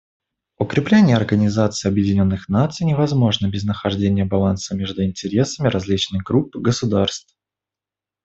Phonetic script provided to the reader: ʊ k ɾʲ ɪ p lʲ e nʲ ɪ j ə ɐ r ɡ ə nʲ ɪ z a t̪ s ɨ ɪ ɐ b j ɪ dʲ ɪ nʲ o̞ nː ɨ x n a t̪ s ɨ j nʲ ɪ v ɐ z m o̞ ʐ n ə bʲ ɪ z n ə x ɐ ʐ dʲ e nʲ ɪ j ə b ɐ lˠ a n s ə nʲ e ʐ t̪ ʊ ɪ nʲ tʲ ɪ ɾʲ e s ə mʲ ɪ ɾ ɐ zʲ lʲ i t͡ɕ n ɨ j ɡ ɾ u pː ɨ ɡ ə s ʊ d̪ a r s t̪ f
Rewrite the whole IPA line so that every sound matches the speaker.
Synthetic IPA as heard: ʊ k ɾʲ ɪ p lʲ e nʲ ɪ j ə ɐ r ɡ ə nʲ ɪ z a t̪ s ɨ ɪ ɐ b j ɪ dʲ ɪ nʲ o̞ nː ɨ x n a t̪ s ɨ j nʲ ɪ v ɐ z m o̞ ʐ n ə bʲ ɪ z n ə x ɐ ʐ dʲ e nʲ ɪ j ə b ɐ lˠ a n s ə mʲ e ʐ d̪ ʊ ɪ nʲ tʲ ɪ ɾʲ e s ə mʲ ɪ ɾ ɐ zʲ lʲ i t͡ɕ n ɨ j ɡ ɾ u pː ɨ ɡ ə s ʊ d̪ a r s t̪ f